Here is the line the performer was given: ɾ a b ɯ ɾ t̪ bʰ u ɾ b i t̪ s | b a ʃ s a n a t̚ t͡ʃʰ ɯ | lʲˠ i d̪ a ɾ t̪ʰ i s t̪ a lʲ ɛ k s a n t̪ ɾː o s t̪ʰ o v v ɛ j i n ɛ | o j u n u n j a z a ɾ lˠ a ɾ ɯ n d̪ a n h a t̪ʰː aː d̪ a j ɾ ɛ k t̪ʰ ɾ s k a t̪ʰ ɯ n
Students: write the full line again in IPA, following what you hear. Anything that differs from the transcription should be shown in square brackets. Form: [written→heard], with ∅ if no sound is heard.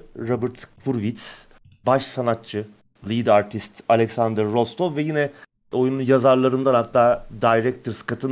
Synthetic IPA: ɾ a b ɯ ɾ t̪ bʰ u ɾ [b→v] i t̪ s | b a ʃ s a n a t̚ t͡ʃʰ ɯ | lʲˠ i d̪ a ɾ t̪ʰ i s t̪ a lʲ ɛ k s a n [t̪→d̪] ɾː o s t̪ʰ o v v ɛ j i n ɛ | o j u n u n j a z a ɾ lˠ a ɾ ɯ n d̪ a n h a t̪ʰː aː d̪ a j ɾ ɛ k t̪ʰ ɾ s k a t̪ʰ ɯ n